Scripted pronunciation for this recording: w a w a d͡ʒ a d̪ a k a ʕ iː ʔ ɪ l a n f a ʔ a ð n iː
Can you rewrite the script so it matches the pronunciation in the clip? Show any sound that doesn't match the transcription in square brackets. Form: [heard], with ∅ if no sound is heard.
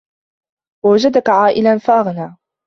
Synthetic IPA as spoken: w a w a d͡ʒ a d̪ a k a ʕ [aː] ʔ ɪ l a n f a ʔ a [ɣ] n [aː]